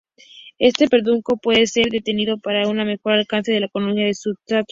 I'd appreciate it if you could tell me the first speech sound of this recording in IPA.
e̞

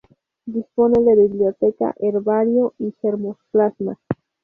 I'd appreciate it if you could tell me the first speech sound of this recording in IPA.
d̪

